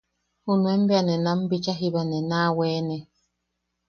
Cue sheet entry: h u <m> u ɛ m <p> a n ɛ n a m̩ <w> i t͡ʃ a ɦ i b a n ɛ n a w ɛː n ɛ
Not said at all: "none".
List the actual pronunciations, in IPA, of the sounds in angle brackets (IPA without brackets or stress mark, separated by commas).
n, b, b